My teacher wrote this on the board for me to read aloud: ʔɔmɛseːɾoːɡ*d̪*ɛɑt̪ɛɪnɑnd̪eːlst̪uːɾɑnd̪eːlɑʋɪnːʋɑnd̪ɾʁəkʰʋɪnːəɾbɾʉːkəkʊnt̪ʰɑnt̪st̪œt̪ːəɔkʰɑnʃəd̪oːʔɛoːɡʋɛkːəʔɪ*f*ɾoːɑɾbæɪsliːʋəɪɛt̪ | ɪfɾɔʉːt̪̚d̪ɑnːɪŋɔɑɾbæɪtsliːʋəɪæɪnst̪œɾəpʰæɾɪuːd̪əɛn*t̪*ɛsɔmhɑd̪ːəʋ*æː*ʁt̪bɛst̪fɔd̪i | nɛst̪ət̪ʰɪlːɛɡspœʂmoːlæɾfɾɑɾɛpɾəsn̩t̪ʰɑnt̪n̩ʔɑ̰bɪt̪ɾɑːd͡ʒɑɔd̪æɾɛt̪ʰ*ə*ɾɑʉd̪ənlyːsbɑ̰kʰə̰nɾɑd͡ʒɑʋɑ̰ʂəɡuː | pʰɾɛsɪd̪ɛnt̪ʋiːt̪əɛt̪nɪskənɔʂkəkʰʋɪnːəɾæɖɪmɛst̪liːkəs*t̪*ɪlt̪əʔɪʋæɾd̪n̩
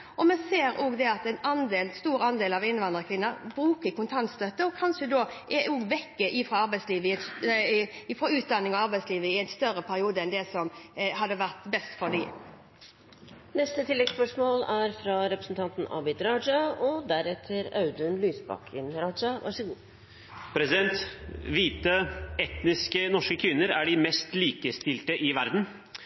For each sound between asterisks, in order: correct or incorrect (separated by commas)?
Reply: correct, correct, incorrect, incorrect, correct, correct